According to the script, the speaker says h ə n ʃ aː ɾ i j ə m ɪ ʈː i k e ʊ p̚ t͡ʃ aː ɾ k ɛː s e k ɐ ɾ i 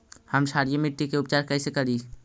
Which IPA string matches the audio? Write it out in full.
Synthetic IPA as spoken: h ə m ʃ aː ɾ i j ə m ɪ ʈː i k e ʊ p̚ t͡ʃ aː ɾ k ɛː s e k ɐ ɾ i